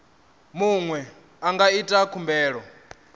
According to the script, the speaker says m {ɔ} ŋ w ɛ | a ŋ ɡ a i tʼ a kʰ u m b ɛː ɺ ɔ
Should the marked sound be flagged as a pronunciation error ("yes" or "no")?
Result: yes